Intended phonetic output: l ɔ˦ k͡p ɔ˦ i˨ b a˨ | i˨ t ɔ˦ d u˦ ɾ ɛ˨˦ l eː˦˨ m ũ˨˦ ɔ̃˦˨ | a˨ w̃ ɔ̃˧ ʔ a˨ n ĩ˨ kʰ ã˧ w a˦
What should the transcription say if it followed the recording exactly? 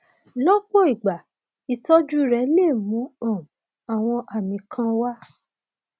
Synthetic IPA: l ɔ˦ k͡p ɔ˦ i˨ ɡ͡b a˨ | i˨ t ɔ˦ d͡ʒ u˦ ɾ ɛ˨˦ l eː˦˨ m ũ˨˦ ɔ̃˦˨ | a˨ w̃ ɔ̃˧ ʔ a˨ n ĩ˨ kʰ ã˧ w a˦